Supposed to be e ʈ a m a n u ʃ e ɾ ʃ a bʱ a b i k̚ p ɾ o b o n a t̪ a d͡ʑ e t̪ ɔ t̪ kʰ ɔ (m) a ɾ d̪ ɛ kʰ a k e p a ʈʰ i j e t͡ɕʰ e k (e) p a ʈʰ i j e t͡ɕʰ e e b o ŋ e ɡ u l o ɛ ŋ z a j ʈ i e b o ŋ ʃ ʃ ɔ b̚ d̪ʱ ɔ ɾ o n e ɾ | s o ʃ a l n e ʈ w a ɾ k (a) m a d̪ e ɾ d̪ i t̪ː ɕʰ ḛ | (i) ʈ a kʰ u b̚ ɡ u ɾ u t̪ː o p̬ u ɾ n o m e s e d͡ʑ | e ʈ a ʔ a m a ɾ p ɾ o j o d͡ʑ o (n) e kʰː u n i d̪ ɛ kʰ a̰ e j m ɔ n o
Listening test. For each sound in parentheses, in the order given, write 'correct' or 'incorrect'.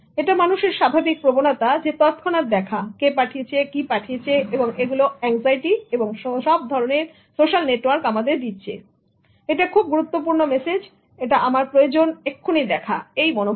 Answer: incorrect, incorrect, correct, incorrect, correct

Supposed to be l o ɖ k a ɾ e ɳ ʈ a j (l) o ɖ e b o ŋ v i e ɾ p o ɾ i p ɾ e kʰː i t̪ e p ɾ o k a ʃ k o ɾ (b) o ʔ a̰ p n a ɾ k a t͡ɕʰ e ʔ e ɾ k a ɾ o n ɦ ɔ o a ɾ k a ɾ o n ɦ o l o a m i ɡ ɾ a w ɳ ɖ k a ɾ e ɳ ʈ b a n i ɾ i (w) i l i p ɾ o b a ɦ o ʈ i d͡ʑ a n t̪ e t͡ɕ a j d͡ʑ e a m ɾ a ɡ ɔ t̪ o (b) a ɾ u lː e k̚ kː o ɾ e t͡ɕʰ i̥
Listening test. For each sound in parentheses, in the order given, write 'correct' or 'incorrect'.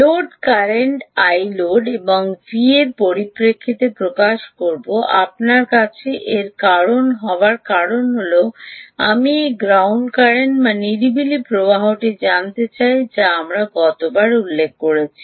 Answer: correct, correct, incorrect, correct

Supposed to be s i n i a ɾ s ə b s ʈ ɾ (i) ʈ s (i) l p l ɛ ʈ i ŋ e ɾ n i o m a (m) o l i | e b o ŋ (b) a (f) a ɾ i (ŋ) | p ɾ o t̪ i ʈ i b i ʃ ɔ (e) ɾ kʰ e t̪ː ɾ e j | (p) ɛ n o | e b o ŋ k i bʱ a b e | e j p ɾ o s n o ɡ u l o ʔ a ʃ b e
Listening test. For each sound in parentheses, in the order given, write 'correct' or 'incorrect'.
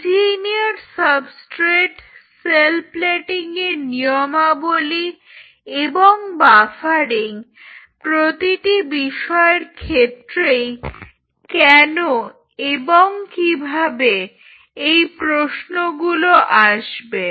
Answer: incorrect, incorrect, incorrect, correct, correct, correct, correct, incorrect

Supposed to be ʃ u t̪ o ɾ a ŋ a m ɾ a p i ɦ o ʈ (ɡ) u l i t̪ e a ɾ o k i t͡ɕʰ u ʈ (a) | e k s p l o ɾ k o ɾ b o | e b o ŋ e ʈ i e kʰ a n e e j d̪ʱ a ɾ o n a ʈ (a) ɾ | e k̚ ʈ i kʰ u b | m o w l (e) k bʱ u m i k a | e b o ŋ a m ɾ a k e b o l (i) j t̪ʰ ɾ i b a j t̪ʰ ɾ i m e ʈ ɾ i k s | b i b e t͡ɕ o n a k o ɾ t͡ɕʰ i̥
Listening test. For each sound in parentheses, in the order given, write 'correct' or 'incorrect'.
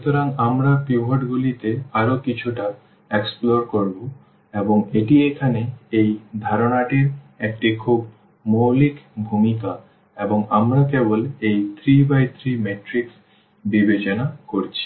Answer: correct, correct, incorrect, incorrect, incorrect

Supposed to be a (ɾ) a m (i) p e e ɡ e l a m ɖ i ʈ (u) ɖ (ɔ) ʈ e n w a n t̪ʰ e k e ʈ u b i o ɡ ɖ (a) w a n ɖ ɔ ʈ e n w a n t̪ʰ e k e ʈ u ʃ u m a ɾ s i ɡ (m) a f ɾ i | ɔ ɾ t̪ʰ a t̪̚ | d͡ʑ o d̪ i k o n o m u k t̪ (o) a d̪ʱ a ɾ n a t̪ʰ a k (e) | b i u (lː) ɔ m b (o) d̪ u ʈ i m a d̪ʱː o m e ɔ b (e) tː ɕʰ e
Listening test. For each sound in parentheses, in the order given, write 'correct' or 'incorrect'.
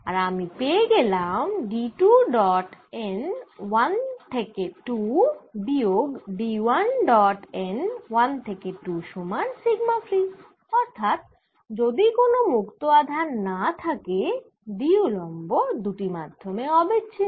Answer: correct, correct, correct, correct, incorrect, correct, correct, correct, incorrect, correct, correct

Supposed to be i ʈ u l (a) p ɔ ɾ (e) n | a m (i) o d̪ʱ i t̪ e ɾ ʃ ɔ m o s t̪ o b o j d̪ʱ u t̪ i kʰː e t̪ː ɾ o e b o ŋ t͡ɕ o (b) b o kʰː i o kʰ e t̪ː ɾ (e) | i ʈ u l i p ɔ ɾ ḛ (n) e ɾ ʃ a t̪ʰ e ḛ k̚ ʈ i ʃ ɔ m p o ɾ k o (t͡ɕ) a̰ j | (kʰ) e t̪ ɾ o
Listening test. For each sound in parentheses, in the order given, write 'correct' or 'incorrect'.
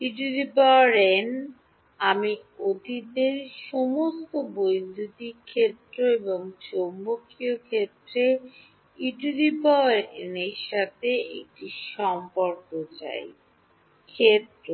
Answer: incorrect, correct, correct, incorrect, correct, correct, correct, correct

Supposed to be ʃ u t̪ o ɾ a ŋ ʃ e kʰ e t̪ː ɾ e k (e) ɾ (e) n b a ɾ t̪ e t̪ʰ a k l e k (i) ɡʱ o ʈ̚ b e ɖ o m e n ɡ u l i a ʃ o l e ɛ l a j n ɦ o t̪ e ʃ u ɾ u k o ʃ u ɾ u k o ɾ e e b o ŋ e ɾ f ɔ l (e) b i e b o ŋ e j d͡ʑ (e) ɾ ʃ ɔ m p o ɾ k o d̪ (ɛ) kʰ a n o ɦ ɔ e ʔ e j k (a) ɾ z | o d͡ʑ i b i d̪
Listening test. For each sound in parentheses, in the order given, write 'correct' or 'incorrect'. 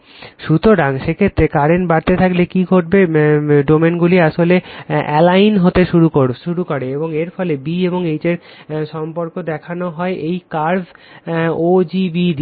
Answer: incorrect, correct, correct, correct, correct, correct, correct

